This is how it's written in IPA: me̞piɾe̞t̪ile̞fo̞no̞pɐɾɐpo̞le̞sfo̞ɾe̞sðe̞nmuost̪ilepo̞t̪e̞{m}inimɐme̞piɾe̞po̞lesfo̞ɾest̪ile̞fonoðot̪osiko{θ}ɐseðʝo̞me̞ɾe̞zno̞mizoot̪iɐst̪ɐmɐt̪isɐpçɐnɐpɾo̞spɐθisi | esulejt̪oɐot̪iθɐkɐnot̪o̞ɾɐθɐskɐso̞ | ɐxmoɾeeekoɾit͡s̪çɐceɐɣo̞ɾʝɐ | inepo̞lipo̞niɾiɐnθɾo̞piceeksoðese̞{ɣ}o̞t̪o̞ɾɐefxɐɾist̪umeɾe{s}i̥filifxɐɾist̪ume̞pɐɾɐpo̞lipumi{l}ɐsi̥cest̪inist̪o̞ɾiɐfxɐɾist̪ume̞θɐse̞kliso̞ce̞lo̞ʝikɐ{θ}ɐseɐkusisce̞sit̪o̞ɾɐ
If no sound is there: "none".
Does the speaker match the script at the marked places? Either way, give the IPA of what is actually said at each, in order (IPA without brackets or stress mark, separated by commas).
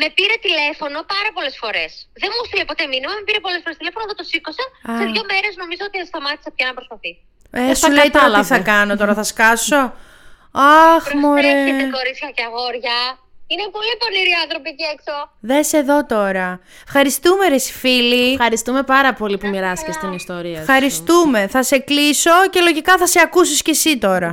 m, s, ð, s, ɾ, θ